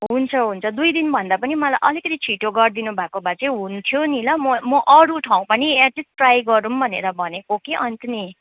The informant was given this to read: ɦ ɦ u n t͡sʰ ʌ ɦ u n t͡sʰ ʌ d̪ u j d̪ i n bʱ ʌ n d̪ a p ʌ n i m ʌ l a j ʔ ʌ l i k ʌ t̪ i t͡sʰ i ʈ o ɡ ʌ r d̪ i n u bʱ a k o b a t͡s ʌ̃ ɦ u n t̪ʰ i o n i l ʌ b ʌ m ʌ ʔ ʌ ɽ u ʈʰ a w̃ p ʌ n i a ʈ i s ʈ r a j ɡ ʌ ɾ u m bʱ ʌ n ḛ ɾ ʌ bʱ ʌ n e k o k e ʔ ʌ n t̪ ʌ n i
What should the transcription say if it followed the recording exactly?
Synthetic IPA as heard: ɦ ɦ u n t͡sʰ ʌ ɦ u n t͡sʰ ʌ d̪ u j d̪ i n bʱ ʌ n d̪ a p ʌ n i m ʌ l a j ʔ ʌ l i k ʌ t̪ i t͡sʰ i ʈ o ɡ ʌ r d̪ i n u bʱ a k o b a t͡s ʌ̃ ɦ u n t̪ʰ j o n i l ʌ m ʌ m ʌ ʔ ʌ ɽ u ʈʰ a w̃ p ʌ n i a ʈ i s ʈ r a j ɡ ʌ ɾ u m bʱ ʌ n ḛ ɾ ʌ bʱ ʌ n e k o k e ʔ ʌ n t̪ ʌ n i